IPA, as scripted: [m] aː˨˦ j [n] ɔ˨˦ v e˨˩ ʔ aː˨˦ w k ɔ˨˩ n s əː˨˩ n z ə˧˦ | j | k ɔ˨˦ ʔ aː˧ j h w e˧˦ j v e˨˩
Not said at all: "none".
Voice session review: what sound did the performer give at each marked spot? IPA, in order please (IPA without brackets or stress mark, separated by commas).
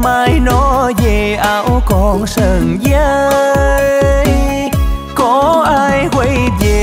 m, n